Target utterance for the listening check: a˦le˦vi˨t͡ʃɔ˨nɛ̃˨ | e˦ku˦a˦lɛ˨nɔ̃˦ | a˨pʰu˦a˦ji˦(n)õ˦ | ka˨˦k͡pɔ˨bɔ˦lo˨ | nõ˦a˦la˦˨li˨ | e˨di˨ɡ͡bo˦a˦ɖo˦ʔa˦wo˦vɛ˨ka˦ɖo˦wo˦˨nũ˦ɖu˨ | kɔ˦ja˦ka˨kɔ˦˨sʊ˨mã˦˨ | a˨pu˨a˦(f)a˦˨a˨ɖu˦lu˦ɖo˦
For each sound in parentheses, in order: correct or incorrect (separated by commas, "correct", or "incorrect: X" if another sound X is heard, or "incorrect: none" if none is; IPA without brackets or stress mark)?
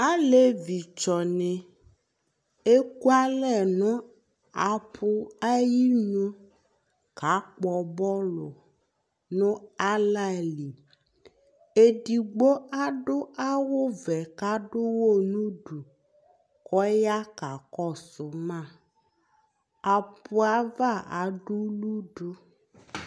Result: incorrect: ɲ, incorrect: v